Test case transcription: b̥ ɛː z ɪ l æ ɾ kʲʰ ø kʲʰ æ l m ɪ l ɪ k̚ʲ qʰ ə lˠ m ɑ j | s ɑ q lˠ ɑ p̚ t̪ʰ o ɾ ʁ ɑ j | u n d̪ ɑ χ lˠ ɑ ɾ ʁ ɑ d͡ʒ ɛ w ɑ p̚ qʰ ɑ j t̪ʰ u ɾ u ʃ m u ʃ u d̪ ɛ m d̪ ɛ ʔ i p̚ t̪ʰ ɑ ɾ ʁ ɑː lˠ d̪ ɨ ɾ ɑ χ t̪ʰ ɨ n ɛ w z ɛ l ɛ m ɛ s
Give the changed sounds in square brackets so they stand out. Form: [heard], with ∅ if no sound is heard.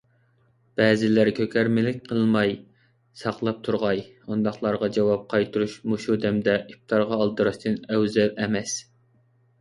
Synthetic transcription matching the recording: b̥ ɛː z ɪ l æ ɾ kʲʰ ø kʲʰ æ [ɾ] m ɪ l ɪ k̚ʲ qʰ ə lˠ m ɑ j | s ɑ q lˠ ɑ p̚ t̪ʰ [u] ɾ ʁ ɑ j | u n d̪ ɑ χ lˠ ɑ ɾ ʁ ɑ d͡ʒ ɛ w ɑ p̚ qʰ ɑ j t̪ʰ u ɾ u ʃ m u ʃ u d̪ ɛ m d̪ ɛ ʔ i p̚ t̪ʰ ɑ ɾ ʁ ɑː lˠ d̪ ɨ ɾ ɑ [ʃ] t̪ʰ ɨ n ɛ w z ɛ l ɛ m ɛ s